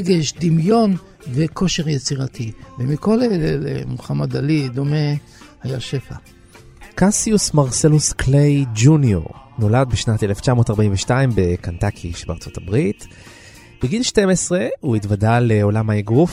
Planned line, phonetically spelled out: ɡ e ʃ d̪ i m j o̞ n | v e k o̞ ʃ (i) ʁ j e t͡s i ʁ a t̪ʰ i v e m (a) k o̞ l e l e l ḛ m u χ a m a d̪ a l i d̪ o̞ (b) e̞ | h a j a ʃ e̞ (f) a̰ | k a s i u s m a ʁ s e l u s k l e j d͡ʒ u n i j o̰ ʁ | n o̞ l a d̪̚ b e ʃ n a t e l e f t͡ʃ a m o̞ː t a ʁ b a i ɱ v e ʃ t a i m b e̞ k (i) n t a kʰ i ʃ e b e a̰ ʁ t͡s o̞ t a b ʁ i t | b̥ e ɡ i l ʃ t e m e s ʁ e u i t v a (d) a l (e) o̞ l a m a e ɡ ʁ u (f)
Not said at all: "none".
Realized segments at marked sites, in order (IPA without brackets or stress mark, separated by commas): e, i, m, f, a, d, e, f